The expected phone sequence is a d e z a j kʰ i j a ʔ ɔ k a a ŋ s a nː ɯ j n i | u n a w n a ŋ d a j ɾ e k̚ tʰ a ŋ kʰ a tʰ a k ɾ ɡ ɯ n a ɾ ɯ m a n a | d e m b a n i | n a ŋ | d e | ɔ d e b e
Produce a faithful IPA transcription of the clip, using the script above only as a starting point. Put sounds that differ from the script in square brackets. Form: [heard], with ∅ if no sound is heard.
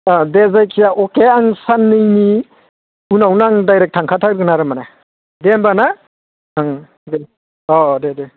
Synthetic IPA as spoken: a d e z a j kʰ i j a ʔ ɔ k [e] a ŋ s a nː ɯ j n i | u n a w n a ŋ d a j ɾ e k̚ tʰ a ŋ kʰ a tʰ a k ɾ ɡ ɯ n a ɾ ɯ m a n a | d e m b a n [a] | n a ŋ | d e | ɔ d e [d] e

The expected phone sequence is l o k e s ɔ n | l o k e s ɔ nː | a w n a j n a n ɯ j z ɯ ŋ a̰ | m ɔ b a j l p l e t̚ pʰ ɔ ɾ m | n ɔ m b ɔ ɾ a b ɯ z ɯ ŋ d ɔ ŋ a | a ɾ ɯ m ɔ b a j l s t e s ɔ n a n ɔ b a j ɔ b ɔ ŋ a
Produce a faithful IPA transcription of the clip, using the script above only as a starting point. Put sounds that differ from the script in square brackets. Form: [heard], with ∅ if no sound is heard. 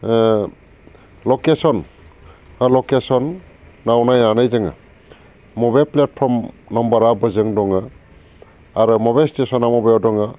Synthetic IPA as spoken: l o k e s ɔ n | l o k e s ɔ nː | a w n a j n a n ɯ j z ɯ ŋ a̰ | m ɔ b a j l p l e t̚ pʰ ɔ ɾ m | n ɔ m b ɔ ɾ a b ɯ z ɯ ŋ d ɔ ŋ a | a ɾ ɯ m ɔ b a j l s t e s ɔ n a [m] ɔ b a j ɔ [d] ɔ ŋ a

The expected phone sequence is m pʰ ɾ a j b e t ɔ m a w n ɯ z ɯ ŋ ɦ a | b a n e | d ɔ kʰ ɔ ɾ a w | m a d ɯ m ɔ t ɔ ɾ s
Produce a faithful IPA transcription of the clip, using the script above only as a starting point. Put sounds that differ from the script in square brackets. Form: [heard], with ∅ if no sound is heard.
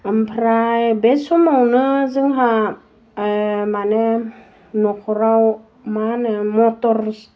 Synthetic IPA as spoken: m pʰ ɾ a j b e [s] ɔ m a w n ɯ z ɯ ŋ ɦ a | [m] a n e | [n] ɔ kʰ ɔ ɾ a w | m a [n] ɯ m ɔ t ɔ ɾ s

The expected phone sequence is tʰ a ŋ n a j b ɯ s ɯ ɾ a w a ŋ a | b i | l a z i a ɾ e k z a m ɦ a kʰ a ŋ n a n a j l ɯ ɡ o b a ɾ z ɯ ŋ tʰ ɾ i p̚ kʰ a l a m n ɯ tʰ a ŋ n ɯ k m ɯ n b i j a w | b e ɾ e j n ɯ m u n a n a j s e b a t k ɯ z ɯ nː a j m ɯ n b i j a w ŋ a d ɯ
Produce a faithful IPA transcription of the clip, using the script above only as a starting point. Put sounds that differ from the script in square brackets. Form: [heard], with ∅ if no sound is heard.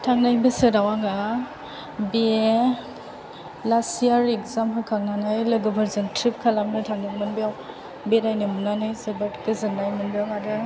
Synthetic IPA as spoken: tʰ a ŋ n a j b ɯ s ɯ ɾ a w a ŋ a | b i | l a [s] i a ɾ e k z a m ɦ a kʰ a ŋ n a n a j l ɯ ɡ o b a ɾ z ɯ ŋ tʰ ɾ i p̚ kʰ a l a m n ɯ tʰ a ŋ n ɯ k m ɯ n b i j a w | b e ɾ [a] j n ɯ m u n a n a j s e b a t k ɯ z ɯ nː a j m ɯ n b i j a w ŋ a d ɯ

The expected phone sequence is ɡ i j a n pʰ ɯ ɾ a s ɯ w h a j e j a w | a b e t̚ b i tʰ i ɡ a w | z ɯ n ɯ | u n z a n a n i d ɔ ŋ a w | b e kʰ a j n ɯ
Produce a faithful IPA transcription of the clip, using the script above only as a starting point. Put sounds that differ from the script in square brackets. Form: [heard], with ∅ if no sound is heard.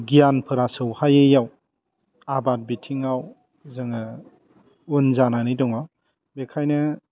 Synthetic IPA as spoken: ɡ i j a n pʰ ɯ ɾ a s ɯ w h a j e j a w | a b [a] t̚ b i tʰ i [ŋ] a w | z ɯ [ŋ] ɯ | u n z a n a n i d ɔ ŋ a w | b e kʰ a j n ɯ

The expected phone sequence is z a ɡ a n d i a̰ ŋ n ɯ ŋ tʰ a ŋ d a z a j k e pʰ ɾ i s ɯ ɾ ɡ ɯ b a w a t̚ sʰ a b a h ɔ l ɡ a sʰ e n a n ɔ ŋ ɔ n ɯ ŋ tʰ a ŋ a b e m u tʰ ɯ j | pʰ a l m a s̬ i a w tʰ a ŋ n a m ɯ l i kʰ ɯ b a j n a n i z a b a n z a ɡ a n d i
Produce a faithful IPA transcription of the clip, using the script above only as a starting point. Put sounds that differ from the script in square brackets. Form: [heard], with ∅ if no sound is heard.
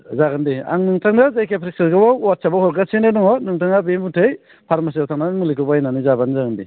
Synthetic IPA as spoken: z a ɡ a n d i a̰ ŋ n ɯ ŋ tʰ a ŋ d a z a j k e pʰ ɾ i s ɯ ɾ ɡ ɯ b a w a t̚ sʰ a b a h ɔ [ɾ] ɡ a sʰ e n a n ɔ ŋ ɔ n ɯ ŋ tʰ a ŋ a b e m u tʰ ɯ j | pʰ a [ɾ] m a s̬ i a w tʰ a ŋ n a m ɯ l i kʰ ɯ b a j n a n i z a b a n z a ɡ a n d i

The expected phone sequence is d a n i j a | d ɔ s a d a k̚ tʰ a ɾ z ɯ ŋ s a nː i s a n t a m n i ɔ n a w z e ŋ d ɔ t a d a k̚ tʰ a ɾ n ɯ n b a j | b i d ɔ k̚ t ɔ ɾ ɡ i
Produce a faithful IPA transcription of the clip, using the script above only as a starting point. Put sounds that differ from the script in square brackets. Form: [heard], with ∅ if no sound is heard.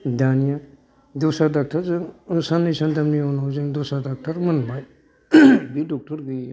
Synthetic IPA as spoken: d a n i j a | d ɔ s a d a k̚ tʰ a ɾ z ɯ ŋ s a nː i s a n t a m n i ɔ n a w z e ŋ d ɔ [s] a d a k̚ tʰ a ɾ [m] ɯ n b a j | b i d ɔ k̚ t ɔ ɾ ɡ i

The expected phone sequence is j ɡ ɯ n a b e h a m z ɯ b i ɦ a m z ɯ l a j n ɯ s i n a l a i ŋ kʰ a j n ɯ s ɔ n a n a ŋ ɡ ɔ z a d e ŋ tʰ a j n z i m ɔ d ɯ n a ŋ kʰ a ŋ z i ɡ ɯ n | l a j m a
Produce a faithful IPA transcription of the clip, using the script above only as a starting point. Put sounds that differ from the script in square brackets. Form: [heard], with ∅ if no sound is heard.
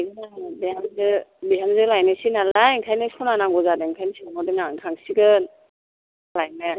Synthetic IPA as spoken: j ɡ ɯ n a b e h a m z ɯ b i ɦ a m z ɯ l a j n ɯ s i n a l a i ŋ kʰ a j n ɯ s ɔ n a n a ŋ ɡ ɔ z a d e ŋ [kʰ] a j n [s] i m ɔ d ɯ n a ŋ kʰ a ŋ [s] i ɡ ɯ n | l a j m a

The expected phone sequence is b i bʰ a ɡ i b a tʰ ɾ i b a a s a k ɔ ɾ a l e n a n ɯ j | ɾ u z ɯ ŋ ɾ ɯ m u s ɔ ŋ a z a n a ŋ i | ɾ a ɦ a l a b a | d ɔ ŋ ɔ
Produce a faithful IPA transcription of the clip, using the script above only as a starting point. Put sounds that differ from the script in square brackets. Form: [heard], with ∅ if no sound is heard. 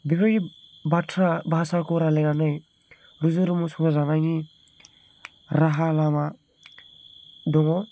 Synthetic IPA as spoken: b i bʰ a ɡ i b a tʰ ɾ [a] b a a s a k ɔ ɾ a l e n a n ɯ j | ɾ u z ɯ [∅] ɾ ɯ m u s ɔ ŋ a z a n a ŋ i | ɾ a ɦ a l a [m] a | d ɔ ŋ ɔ

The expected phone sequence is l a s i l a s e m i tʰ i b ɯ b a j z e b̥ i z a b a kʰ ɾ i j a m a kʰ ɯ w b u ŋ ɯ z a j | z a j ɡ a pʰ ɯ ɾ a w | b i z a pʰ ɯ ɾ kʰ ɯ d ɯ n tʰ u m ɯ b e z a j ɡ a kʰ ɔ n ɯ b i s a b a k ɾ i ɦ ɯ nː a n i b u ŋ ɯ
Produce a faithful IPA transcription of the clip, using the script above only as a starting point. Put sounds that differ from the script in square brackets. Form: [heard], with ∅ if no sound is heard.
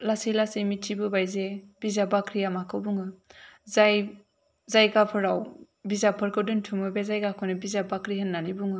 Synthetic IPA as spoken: l a s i l a s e m i tʰ i b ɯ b a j z e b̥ i z a b a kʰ ɾ i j a m a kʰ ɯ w b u ŋ ɯ z a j | z a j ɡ a pʰ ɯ ɾ a w | b i z a pʰ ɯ ɾ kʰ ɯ d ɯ n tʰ u m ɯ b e z a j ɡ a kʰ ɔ n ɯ b i [z] a b a k ɾ i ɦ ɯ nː a n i b u ŋ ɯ

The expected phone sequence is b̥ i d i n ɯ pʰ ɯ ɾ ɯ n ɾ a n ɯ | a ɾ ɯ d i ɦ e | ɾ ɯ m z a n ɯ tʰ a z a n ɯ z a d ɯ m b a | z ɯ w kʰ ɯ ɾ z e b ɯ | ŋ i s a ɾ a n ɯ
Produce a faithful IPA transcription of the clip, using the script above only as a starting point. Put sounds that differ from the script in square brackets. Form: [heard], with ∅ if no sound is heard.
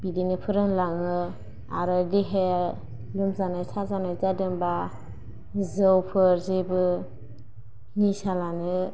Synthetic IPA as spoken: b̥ i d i n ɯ pʰ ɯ ɾ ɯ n [l] a [ŋ] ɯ | a ɾ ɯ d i ɦ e | [l] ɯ m z a n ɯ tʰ a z a n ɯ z a d ɯ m b a | z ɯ w [pʰ] ɯ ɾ z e b ɯ | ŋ i s a [l] a n ɯ

